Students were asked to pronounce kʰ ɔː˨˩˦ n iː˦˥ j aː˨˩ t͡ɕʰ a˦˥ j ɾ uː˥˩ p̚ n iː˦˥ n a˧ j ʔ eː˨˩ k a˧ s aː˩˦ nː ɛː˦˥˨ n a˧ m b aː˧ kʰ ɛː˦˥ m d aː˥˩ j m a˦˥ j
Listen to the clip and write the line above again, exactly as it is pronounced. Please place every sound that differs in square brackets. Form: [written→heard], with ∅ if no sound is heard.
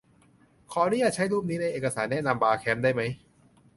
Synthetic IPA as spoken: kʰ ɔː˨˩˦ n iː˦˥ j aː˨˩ t͡ɕʰ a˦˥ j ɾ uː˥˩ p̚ n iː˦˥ n a˧ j ʔ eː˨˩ k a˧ s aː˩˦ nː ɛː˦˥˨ n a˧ m b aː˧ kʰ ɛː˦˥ m d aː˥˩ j m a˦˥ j